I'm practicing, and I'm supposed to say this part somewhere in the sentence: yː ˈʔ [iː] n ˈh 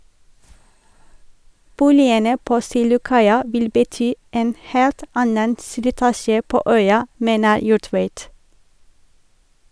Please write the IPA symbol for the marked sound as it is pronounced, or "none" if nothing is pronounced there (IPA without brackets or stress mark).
eː